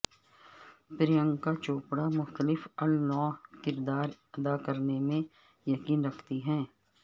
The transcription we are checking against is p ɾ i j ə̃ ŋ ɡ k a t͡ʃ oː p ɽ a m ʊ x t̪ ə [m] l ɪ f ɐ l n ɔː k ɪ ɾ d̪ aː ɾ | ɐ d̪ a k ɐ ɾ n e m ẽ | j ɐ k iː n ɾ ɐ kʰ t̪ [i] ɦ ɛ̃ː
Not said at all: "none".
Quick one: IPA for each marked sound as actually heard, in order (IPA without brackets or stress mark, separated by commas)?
none, i